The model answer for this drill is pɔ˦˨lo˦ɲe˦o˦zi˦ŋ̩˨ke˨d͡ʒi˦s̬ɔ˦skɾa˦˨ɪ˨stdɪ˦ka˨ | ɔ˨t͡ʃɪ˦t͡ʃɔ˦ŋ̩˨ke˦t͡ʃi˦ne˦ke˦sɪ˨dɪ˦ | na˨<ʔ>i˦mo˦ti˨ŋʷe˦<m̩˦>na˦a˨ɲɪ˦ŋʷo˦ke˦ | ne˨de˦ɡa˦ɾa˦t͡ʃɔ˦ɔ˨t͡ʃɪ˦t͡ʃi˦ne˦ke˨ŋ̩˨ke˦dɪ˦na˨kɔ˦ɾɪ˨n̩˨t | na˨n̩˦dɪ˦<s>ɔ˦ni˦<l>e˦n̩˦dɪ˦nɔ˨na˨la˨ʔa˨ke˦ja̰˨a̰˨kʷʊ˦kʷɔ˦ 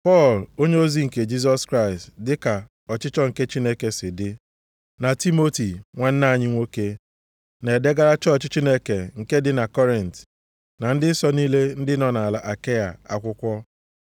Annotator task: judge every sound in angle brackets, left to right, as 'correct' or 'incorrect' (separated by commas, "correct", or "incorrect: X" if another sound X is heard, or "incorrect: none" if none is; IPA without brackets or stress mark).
incorrect: t, incorrect: n̩˦, correct, correct